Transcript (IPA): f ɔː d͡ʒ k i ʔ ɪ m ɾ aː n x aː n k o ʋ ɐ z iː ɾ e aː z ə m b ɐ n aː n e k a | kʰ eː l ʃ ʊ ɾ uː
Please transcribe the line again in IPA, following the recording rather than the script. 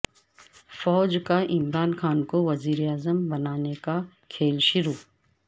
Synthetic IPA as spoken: f ɔː d͡ʒ k a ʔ ɪ m ɾ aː n x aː n k o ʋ ɐ z iː ɾ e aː z ə m b ɐ n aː n e k a | kʰ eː l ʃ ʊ ɾ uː